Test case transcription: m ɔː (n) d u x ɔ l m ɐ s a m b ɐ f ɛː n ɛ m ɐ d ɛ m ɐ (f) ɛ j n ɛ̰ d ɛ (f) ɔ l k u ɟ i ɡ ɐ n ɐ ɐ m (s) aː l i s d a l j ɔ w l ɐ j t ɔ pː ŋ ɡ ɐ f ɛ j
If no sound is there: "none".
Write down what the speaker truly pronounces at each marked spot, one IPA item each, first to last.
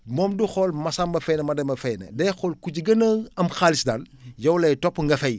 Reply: m, f, x, x

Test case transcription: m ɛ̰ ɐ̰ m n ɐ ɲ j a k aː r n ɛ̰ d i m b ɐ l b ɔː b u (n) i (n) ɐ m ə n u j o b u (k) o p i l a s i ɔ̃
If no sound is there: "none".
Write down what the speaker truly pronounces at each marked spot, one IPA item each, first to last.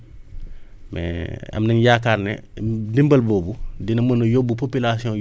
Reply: d, n, p

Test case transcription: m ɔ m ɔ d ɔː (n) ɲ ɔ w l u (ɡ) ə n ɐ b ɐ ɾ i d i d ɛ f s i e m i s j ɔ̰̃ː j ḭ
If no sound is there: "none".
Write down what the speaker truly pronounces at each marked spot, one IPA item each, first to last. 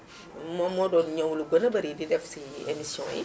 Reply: n, ɡ

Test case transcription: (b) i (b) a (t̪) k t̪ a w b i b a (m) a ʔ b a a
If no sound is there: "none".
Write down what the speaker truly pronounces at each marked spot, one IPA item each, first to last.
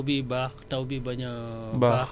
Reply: b, b, none, ɲ

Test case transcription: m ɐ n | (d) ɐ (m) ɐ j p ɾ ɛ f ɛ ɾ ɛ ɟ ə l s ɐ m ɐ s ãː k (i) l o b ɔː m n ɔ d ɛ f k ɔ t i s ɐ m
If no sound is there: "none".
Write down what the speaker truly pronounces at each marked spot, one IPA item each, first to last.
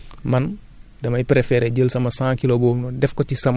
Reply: d, m, i

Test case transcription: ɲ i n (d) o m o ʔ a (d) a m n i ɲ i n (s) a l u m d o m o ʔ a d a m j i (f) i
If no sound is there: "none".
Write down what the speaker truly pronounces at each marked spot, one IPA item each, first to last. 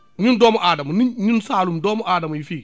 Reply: d, d, s, f

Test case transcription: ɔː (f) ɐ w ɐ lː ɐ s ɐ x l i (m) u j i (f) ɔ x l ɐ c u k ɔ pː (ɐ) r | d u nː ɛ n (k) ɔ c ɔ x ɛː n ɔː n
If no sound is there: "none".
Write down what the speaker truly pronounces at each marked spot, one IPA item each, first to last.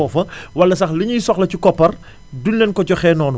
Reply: f, ɲ, s, ɐ, k

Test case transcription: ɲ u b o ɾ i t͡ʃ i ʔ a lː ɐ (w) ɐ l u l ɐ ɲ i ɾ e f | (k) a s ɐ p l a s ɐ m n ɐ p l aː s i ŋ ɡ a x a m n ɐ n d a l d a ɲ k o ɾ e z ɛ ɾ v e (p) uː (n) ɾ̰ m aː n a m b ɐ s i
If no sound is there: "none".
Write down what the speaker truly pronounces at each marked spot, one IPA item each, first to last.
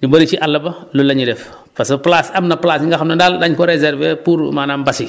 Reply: b, p, p, none

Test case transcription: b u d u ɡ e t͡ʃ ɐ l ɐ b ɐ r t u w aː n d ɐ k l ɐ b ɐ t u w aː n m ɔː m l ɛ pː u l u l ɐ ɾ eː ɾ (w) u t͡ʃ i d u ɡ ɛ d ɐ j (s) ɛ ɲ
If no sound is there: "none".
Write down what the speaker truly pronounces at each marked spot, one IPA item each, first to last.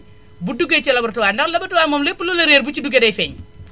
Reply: b, f

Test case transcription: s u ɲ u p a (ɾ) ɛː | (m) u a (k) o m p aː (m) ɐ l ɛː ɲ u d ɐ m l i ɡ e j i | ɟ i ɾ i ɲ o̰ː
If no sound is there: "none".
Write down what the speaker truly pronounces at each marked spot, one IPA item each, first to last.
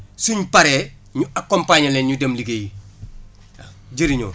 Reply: ɾ, ɲ, k, ɲ

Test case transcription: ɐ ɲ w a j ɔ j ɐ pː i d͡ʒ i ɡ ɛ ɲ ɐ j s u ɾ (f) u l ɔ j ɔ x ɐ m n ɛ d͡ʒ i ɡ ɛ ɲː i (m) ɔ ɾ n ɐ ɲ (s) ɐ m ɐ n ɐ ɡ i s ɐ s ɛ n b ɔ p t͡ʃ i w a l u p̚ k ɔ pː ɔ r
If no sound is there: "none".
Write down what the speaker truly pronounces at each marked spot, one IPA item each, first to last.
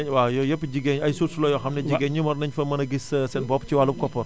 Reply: s, m, f

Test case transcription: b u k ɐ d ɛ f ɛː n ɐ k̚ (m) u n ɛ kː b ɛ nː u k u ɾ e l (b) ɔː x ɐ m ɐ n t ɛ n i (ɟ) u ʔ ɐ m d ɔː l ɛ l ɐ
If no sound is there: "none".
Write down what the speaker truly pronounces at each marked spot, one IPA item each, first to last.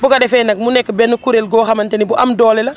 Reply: m, ɡ, b

